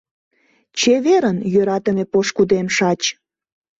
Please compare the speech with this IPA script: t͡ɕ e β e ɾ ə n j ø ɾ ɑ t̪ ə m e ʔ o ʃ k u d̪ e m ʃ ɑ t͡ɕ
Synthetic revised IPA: t͡ɕ e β e ɾ ə n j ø ɾ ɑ t̪ ə m e p o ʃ k u d̪ e m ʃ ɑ t͡ɕ